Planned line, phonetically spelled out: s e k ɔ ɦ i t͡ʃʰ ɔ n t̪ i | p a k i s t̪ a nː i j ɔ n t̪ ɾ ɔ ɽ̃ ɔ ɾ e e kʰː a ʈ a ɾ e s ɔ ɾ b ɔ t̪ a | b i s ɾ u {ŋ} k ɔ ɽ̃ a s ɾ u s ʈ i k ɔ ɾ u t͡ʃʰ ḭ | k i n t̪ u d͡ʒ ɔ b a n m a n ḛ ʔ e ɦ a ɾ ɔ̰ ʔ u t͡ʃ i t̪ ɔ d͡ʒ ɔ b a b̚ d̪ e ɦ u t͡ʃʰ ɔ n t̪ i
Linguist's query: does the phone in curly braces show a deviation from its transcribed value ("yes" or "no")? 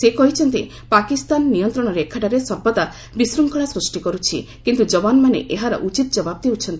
no